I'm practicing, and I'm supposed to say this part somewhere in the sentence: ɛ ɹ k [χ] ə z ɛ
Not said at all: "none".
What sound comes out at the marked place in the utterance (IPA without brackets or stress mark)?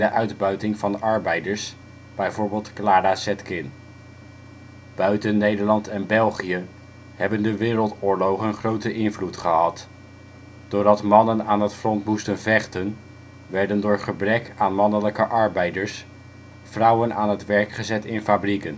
χ